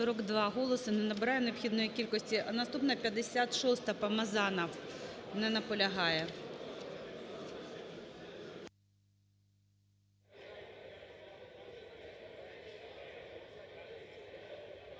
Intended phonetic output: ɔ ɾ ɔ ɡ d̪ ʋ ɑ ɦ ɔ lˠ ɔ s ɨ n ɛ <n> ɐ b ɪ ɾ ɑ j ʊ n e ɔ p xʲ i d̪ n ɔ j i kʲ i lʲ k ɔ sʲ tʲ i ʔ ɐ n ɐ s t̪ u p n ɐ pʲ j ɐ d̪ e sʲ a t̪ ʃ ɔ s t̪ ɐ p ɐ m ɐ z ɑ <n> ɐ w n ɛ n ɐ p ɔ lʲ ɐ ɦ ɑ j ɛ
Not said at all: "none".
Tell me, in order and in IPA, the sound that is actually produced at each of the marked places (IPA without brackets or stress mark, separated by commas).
n, n